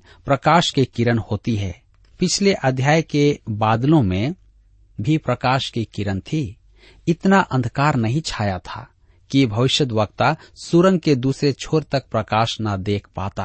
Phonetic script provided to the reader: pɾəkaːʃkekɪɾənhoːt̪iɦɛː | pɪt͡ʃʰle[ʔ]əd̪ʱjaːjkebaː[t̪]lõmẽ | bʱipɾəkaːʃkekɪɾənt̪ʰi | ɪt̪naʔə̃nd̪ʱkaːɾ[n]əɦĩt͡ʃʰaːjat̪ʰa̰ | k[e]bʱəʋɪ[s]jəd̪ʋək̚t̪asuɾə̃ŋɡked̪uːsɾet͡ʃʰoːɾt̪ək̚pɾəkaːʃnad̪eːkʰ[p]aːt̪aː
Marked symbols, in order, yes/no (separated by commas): yes, no, yes, no, no, yes